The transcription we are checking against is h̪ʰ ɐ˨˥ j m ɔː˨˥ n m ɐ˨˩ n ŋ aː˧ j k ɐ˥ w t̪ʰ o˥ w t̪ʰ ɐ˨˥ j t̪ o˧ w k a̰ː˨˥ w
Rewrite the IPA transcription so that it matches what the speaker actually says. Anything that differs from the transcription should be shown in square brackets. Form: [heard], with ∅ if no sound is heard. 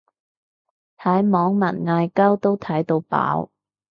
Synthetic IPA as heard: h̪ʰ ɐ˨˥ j m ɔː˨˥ [ŋ] m ɐ˨˩ n ŋ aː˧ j k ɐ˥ w [t̪] o˥ w t̪ʰ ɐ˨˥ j t̪ o˧ w [p] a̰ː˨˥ w